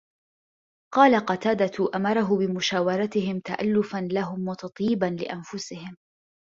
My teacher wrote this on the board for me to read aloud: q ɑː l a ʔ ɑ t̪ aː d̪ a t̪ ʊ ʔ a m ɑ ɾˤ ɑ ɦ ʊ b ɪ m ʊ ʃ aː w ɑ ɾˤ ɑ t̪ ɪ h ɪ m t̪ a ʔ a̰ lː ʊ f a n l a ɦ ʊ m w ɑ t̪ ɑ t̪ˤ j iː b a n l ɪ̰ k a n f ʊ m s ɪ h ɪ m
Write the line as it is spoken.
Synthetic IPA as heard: q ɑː l a q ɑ t̪ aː d̪ a t̪ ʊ ʔ a m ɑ ɾˤ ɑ ɦ ʊ b ɪ m ʊ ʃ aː w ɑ ɾˤ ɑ t̪ ɪ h ɪ m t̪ a ʔ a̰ lː ʊ f a n l a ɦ ʊ m w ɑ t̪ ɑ t̪ˤ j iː b a n l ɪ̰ ʔ a n f ʊ s ɪ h ɪ m

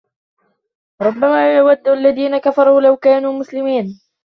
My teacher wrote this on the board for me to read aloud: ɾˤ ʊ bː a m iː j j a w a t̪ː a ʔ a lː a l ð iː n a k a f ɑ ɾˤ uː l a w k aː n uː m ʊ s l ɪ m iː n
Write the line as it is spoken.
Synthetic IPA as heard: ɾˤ ʊ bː a m aː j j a w a d̪ː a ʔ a lː a ð iː n a k a f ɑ ɾˤ uː l a w k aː n uː m ʊ s l ɪ m iː n

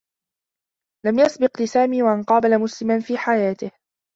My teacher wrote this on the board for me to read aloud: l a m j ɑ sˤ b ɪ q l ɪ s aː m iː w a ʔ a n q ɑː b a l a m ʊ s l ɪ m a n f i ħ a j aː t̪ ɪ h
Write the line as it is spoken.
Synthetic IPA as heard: l a m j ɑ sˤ b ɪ q l ɪ s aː m iː w a ʔ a n q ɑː b a l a m ʊ s l ɪ m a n f iː ħ a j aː t̪ ɪ h

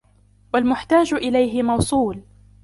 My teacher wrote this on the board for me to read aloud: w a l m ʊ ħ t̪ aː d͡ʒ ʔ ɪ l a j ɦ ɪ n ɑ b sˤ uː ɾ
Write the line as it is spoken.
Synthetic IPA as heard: w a l m ʊ ħ t̪ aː d͡ʒ ʔ ɪ l a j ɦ ɪ m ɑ w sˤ uː l

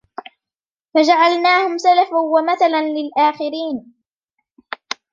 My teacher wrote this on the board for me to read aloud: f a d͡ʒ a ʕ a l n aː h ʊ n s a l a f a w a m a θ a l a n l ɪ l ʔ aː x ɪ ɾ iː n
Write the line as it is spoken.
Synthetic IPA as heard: f a d͡ʒ a ʕ a l n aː h ʊ m s a l a f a w a m a θ a l a n l ɪ l ʔ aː x ɪ ɾ iː n

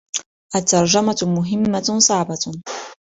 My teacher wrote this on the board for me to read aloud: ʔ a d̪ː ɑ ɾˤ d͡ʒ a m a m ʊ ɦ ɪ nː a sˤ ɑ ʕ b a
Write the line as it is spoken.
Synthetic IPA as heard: ʔ a t̪ː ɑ ɾˤ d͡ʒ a m a m ʊ ɦ ɪ mː a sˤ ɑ ʕ b a

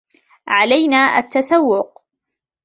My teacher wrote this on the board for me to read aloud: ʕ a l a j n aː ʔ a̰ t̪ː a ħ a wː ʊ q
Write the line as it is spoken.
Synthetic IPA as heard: ʕ a l a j n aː ʔ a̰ t̪ː a s a wː ʊ q

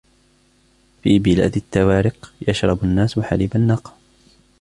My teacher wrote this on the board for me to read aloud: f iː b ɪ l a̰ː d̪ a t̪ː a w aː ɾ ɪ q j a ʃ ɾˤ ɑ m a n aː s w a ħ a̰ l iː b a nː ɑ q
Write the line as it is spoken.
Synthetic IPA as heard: f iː b ɪ l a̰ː d̪ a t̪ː a w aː ɾ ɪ q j a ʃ ɾˤ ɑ b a nː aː s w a ħ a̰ l iː b a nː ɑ q

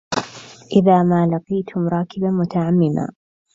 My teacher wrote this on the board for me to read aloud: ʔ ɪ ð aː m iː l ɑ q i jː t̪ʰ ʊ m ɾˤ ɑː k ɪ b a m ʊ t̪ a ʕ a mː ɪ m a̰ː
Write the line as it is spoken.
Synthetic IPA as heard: ʔ ɪ ð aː m aː l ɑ q i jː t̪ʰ ʊ m ɾˤ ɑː k ɪ b a m ʊ t̪ a ʕ a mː ɪ m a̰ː

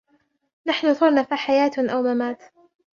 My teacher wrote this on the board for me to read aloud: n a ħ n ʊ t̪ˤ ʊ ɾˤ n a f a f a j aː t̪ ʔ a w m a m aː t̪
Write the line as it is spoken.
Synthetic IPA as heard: n a ħ n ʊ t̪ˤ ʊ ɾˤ n a f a ħ a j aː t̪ ʔ a w m a m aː t̪

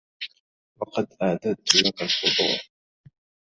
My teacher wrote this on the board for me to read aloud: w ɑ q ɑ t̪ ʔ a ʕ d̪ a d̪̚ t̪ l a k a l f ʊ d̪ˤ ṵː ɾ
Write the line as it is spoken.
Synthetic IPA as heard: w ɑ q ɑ d̪ ʔ a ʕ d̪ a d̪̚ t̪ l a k a l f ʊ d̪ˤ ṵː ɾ

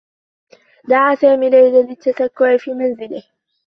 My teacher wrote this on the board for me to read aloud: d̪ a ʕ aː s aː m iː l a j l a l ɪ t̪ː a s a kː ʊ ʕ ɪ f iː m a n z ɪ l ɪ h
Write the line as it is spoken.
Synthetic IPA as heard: d̪ a ʕ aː s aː m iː l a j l a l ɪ t̪ː a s a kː ʊ ʕ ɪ f iː m a n z ɪ l ɪ h

